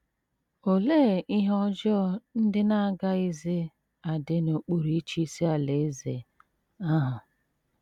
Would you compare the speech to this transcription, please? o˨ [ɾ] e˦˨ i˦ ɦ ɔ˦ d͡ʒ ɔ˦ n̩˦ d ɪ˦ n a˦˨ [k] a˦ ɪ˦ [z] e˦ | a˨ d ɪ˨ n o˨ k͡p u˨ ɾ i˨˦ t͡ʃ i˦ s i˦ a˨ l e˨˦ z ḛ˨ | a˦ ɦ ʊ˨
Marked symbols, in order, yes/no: no, no, yes

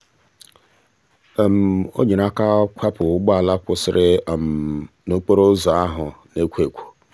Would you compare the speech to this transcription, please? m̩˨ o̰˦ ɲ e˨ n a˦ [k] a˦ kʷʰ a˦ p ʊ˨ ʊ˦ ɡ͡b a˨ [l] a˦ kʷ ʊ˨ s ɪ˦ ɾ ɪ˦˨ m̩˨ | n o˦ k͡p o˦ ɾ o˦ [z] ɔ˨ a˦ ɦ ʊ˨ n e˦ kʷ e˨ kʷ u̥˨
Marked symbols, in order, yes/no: yes, yes, yes

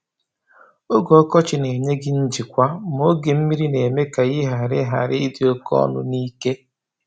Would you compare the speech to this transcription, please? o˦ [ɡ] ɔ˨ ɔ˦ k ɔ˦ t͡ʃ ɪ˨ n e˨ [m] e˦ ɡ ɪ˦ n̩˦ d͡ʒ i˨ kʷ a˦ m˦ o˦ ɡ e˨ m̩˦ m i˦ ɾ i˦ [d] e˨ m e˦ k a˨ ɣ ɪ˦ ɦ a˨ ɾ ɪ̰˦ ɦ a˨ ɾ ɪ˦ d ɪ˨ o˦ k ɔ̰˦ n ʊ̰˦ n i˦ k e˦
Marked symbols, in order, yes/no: yes, no, no

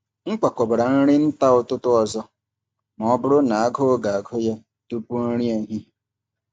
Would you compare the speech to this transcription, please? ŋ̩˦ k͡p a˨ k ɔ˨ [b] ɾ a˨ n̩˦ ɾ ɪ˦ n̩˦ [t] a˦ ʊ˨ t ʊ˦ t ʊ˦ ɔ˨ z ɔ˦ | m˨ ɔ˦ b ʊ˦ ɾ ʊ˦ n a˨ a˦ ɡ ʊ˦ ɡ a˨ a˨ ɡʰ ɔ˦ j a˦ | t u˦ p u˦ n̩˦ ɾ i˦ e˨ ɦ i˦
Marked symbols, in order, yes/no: yes, yes

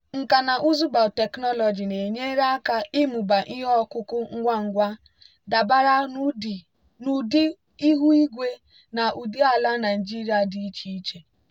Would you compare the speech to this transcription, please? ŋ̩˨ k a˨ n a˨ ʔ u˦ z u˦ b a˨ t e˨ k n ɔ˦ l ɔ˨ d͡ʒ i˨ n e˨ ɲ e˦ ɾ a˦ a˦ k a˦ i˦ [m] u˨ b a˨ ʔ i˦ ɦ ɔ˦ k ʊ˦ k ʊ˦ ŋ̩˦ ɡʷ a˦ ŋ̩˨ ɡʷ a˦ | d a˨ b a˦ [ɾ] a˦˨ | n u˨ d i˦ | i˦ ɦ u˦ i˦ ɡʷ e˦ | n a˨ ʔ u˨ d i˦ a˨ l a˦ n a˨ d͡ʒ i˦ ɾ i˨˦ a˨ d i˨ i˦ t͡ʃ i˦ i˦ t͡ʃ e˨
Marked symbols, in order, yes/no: yes, yes

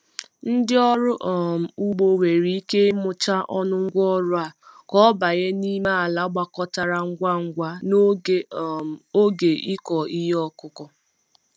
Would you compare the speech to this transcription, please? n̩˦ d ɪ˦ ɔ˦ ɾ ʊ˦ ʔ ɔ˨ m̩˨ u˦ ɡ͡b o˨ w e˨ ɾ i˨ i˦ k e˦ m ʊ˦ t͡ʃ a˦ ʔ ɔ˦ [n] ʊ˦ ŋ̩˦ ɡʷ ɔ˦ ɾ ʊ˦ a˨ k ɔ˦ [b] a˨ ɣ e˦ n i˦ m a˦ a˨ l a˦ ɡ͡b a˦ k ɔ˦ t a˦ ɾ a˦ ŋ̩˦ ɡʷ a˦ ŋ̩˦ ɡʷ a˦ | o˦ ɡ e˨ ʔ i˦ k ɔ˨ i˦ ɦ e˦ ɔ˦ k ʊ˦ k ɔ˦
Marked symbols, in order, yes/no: yes, yes

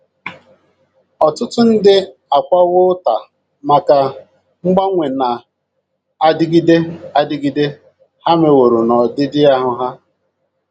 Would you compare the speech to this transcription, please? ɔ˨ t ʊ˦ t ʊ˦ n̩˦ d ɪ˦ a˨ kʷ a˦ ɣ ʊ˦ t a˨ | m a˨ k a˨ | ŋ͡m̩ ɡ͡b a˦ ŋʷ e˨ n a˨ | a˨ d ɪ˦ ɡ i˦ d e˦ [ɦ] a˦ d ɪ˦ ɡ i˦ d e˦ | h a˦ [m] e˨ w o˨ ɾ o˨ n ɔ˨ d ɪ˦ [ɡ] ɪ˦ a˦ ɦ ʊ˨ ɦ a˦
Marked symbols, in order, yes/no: no, yes, no

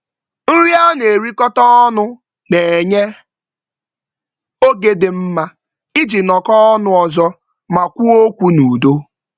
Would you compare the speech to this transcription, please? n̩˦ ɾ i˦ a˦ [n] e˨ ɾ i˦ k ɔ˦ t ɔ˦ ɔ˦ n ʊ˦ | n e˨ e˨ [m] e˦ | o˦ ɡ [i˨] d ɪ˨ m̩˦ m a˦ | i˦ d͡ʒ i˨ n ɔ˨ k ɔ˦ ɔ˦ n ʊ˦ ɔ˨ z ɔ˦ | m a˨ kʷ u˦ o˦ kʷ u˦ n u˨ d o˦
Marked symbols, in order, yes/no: yes, no, no

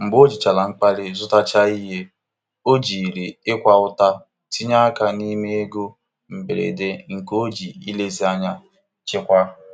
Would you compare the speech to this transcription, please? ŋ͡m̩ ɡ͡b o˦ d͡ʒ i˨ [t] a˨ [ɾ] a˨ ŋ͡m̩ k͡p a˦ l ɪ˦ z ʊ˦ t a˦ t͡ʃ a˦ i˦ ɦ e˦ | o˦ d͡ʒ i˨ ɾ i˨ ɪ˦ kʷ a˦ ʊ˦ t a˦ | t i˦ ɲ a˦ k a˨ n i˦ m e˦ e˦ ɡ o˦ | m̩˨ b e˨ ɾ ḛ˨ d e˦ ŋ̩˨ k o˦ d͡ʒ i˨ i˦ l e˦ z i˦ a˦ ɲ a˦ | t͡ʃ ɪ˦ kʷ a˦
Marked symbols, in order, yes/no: no, no

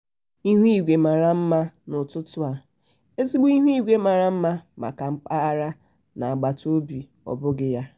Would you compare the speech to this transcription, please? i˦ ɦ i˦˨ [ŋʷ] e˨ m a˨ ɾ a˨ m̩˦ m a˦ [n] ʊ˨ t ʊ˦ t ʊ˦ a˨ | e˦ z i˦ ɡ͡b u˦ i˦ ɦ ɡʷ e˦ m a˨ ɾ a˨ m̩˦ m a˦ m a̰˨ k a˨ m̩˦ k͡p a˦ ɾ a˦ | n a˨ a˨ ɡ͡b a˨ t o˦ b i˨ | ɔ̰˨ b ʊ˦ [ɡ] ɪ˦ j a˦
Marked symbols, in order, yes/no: no, yes, yes

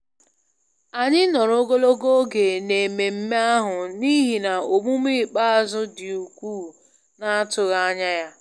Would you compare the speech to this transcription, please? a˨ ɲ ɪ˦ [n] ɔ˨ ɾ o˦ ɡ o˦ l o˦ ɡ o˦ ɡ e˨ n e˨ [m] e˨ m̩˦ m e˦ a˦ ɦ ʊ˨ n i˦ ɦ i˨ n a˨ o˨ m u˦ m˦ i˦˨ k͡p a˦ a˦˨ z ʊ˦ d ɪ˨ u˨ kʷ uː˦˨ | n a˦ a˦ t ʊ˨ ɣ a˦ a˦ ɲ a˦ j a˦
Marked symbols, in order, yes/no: yes, yes

